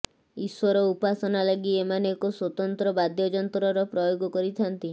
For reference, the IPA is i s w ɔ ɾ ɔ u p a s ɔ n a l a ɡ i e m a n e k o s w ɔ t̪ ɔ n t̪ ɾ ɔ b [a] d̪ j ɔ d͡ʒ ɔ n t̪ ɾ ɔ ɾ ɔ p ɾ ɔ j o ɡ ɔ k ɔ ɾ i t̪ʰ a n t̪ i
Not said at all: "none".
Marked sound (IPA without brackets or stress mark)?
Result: a